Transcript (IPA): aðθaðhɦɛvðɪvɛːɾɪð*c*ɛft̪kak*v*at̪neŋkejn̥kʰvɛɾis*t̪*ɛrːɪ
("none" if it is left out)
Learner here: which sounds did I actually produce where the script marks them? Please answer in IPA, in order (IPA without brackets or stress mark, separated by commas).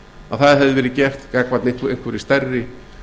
c, v, t̪